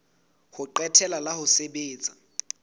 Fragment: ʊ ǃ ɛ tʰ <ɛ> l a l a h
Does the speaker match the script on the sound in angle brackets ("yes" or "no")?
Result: yes